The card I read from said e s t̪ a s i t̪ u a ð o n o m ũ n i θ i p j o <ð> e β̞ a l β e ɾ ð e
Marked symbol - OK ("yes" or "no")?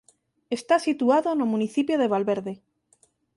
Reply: yes